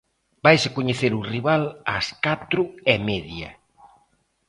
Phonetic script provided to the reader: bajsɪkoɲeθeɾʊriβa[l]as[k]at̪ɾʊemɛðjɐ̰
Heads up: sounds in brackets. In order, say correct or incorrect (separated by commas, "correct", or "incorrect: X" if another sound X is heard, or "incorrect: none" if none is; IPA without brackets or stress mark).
correct, correct